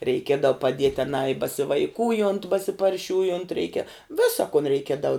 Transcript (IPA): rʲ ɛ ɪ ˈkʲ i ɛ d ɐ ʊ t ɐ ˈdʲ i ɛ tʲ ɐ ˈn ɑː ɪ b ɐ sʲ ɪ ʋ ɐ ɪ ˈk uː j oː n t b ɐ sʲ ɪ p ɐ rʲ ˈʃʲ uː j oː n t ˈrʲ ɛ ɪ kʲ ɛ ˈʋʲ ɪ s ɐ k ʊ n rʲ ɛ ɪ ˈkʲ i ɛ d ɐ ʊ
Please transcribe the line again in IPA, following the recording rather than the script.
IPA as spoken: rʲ ɛ ɪ ˈkʲ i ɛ d ɐ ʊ p ɐ ˈdʲ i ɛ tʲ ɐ ˈn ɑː ɪ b ɐ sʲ ɪ ʋ ɐ ɪ ˈk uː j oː n t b ɐ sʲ ɪ p ɐ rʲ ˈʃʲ uː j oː n t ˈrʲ ɛ ɪ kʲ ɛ ˈʋʲ ɪ s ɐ k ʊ n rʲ ɛ ɪ ˈkʲ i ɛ d ɐ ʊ

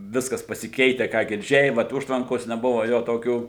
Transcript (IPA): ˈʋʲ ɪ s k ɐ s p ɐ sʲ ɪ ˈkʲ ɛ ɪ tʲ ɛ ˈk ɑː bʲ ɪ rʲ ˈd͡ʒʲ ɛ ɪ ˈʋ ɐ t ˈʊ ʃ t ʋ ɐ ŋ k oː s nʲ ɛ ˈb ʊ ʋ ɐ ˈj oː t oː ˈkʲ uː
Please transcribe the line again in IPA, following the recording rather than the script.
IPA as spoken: ˈʋʲ ɪ s k ɐ s p ɐ sʲ ɪ ˈkʲ ɛ ɪ tʲ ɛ ˈk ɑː ɡʲ ɪ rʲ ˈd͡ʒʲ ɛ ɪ ˈʋ ɐ t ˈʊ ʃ t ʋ ɐ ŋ k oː s nʲ ɛ ˈb ʊ ʋ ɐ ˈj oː t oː ˈkʲ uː

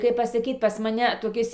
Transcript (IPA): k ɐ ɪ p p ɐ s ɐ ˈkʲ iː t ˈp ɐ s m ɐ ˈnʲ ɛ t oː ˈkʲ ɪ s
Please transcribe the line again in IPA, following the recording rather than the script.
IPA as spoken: k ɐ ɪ p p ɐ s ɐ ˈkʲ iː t ˈp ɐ s m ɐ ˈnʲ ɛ t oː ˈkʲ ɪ s

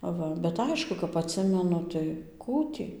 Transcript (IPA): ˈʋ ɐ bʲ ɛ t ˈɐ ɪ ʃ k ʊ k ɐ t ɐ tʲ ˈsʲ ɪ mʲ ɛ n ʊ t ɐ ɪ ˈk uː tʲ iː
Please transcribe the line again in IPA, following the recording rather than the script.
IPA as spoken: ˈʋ ɐ bʲ ɛ t ˈɐ ɪ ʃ k ʊ k ɐ p ɐ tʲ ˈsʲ ɪ mʲ ɛ n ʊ t ɐ ɪ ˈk uː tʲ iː

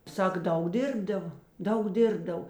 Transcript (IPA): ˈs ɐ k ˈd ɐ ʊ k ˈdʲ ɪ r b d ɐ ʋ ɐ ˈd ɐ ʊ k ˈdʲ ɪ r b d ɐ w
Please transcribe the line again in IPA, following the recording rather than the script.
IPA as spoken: ˈs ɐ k ˈd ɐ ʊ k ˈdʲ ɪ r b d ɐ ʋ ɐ ˈd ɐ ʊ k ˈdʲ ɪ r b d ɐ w

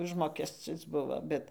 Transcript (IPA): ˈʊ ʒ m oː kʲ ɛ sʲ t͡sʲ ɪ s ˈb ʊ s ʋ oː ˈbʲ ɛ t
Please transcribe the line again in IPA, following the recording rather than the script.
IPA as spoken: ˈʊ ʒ m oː kʲ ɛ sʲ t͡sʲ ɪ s ˈb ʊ ʋ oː ˈbʲ ɛ t

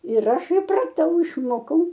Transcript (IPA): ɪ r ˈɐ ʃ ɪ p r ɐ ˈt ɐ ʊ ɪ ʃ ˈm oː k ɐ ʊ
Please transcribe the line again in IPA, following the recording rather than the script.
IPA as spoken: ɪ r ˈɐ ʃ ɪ p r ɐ ˈt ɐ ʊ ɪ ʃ ˈm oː k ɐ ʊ

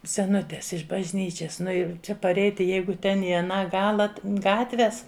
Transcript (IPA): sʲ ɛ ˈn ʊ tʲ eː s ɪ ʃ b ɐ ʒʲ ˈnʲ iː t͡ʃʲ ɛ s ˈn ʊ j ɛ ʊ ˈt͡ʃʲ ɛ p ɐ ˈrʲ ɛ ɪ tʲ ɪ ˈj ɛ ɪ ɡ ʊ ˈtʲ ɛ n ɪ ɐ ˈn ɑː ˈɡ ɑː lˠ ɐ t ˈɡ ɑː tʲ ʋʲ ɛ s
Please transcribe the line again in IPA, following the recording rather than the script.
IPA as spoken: sʲ ɛ ˈn ʊ tʲ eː s ɪ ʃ b ɐ ʒʲ ˈnʲ iː t͡ʃʲ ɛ s ˈn ʊ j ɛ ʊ ˈt͡ʃʲ ɛ p ɐ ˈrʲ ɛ ɪ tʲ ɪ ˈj ɛ ɪ ɡ ʊ ˈtʲ ɛ n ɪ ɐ ˈn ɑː ˈɡ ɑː lˠ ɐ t ˈɡ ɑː tʲ ʋʲ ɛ s

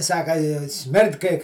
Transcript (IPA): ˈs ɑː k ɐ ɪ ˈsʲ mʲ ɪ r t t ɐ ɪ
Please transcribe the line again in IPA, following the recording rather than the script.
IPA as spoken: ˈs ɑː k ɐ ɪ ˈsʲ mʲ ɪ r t k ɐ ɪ

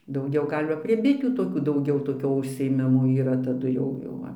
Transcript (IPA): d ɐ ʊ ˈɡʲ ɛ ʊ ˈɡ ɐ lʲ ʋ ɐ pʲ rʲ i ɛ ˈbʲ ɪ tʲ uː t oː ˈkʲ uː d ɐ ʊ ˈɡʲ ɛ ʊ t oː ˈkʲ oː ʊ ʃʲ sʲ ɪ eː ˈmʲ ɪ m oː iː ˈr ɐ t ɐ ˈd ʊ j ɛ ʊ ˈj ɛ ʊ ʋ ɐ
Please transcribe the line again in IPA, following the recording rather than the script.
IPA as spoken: d ɐ ʊ ˈɡʲ ɛ ʊ ˈɡ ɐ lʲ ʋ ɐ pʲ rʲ i ɛ ˈbʲ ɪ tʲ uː t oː ˈkʲ uː d ɐ ʊ ˈɡʲ ɛ ʊ t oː ˈkʲ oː ʊ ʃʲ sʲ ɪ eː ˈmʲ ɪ m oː iː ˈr ɐ t ɐ ˈd ʊ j ɛ ʊ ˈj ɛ ʊ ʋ ɐ

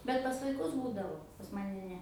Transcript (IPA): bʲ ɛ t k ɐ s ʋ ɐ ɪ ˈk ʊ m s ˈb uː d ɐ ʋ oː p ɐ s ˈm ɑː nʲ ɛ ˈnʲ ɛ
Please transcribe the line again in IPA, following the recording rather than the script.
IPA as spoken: bʲ ɛ t p ɐ s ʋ ɐ ɪ ˈk ʊ s ˈb uː d ɐ ʋ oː p ɐ s ˈm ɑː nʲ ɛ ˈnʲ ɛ

